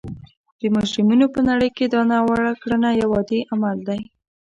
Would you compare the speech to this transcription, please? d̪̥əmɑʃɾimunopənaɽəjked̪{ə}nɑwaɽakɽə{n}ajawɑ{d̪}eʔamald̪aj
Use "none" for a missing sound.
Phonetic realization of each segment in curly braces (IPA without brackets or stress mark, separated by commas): ɑ, n, d̪